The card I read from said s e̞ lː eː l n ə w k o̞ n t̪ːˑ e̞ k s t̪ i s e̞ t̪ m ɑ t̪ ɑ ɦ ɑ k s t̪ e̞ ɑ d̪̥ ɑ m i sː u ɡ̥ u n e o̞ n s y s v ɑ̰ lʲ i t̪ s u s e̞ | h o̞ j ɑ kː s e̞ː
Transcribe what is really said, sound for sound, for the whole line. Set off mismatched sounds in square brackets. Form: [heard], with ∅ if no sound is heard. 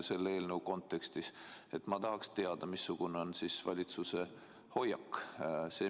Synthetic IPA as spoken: s e̞ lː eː l n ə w k o̞ n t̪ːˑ e̞ k s t̪ i s e̞ t̪ m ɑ t̪ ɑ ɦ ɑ k s t̪ e̞ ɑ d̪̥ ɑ m i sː u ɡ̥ u n e o̞ n s [i] s v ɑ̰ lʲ i t̪ s u s e̞ | h o̞ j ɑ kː s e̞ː